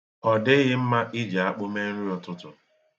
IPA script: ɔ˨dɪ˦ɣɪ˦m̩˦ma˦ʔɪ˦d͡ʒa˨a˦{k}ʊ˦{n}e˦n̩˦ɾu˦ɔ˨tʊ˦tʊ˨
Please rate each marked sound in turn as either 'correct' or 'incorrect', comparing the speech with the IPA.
incorrect, incorrect

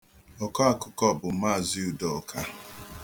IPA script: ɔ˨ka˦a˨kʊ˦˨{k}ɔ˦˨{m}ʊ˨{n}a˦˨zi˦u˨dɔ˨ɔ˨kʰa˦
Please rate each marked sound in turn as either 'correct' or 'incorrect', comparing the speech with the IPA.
correct, incorrect, incorrect

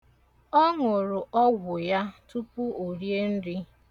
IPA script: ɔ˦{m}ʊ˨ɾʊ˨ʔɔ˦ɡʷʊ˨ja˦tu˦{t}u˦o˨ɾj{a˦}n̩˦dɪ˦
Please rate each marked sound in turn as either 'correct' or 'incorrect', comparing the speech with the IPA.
incorrect, incorrect, incorrect

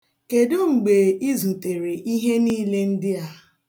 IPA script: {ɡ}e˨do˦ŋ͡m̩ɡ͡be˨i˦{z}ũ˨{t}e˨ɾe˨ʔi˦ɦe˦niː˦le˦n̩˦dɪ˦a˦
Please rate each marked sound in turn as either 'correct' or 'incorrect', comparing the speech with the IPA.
incorrect, correct, correct

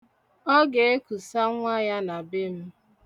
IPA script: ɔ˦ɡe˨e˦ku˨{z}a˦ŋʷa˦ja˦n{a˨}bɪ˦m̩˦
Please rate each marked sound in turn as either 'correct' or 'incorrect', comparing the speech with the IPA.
incorrect, correct

